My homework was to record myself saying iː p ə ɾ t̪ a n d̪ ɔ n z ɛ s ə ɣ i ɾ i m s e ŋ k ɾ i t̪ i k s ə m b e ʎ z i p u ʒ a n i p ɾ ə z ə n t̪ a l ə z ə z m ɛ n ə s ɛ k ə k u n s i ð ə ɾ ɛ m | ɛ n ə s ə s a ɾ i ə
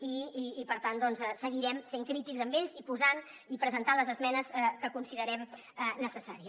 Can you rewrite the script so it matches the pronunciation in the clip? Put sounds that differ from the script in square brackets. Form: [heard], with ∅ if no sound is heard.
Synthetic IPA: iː p ə ɾ t̪ a n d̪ ɔ n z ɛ s ə ɣ i ɾ [ɛ] m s e ŋ k ɾ i t̪ i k [z] ə m b e ʎ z i p u [z] a n i p ɾ ə z ə n t̪ a l ə z ə z m ɛ n ə s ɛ k ə k u n s i ð ə ɾ ɛ m | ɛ n ə s ə s a ɾ i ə